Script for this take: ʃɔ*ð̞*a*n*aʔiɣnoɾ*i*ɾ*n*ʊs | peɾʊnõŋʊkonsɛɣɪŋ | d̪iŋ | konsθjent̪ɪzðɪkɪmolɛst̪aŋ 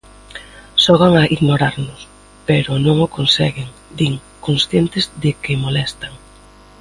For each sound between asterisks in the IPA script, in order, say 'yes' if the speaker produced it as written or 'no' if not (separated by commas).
no, no, no, yes